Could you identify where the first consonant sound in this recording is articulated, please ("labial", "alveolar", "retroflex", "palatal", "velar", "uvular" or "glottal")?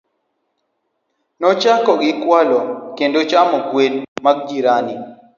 alveolar